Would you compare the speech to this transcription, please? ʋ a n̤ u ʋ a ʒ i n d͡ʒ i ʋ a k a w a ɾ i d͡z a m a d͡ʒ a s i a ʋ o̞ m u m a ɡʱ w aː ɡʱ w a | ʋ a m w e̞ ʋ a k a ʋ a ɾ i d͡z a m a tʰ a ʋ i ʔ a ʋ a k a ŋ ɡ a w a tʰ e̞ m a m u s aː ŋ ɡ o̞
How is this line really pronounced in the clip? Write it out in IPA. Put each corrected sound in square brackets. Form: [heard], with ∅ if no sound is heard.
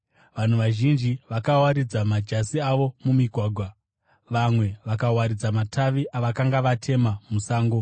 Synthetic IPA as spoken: ʋ a n̤ u ʋ a ʒ i n d͡ʒ i ʋ a k a w a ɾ i d͡z a m a d͡ʒ a s i a ʋ o̞ m u m [i] ɡʱ w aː ɡʱ w a | ʋ a m w e̞ ʋ a k a [w] a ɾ i d͡z a m a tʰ a ʋ i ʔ a ʋ a k a ŋ ɡ a [ʋ] a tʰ e̞ m a m u s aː ŋ ɡ o̞